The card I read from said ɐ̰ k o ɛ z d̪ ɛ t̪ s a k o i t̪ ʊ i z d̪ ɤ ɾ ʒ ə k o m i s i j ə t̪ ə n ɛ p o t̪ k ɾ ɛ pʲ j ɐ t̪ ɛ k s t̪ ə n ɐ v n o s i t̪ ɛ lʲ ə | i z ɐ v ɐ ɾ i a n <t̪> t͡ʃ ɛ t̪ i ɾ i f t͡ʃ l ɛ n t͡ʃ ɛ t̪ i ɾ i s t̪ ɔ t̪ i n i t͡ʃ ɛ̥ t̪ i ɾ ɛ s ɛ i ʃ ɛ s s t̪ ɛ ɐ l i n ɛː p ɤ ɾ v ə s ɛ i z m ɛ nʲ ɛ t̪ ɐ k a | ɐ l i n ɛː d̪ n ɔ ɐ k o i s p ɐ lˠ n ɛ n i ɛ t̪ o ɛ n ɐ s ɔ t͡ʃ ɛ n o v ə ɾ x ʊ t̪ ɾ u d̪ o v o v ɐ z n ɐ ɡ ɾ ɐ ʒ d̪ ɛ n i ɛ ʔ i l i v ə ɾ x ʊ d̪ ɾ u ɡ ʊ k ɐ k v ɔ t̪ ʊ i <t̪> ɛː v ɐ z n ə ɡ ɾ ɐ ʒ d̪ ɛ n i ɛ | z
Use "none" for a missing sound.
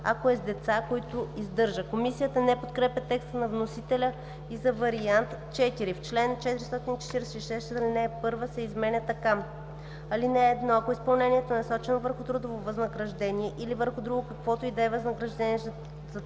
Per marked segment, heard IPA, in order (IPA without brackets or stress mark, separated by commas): t̪, d̪